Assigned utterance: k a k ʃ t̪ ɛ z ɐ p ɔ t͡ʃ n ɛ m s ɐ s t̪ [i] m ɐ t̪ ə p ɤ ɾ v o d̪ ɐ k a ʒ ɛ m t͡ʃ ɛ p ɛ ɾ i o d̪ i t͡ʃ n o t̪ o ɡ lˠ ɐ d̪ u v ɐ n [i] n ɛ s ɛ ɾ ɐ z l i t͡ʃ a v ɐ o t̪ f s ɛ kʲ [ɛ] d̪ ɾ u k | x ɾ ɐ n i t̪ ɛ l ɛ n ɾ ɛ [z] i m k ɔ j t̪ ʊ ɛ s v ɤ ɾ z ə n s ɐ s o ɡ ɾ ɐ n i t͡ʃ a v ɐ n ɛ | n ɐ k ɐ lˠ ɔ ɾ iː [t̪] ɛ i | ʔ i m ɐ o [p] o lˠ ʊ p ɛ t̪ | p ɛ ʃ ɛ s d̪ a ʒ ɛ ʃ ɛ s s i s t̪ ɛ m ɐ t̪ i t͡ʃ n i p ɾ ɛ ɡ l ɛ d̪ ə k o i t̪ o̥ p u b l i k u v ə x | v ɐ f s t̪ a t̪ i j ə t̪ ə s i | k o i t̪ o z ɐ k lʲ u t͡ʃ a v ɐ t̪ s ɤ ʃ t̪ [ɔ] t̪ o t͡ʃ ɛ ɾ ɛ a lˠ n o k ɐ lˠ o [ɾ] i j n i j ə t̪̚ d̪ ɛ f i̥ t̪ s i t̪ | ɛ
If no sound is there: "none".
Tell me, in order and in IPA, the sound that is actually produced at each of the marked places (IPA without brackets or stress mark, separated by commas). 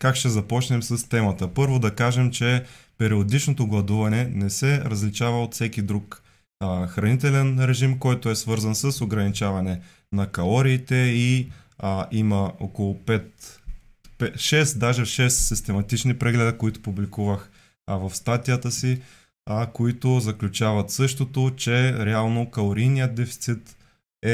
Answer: ɛ, ɛ, i, ʒ, t̪, k, o, ɾ